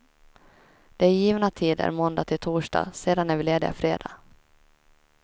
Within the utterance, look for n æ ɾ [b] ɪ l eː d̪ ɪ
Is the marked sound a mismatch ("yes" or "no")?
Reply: yes